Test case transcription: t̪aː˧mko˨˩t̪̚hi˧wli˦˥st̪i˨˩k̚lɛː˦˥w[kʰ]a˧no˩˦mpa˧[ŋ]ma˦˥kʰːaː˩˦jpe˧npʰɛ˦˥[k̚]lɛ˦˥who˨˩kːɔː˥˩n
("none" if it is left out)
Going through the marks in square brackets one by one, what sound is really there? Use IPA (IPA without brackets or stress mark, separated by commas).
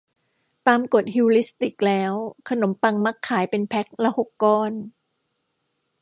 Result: kʰ, ŋ, k̚